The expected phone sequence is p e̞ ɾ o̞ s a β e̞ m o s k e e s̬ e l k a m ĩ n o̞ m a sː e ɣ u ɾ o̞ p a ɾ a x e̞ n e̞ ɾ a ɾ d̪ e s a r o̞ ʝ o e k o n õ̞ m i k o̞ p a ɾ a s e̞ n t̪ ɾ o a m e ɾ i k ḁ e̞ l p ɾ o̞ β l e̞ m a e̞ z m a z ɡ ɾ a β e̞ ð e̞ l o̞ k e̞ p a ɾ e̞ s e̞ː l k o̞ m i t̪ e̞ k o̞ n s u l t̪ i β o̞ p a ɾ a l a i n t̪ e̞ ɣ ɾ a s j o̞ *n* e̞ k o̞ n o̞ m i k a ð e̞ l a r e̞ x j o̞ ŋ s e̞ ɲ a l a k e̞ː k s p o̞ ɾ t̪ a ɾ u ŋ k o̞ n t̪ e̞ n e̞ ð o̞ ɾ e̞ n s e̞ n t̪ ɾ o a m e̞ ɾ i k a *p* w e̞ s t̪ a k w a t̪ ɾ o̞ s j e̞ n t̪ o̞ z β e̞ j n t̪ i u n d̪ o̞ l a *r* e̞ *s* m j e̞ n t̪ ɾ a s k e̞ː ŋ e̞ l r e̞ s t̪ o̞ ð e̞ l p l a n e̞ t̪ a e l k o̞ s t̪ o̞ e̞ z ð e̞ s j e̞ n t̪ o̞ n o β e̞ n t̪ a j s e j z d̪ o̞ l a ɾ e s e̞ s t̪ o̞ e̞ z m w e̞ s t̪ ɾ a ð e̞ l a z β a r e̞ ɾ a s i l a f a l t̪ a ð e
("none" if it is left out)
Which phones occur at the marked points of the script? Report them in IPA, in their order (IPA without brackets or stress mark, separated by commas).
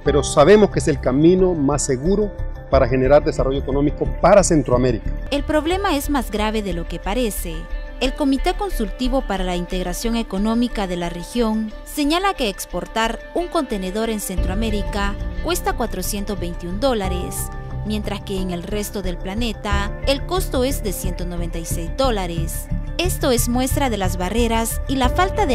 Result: ŋ, k, ɾ, s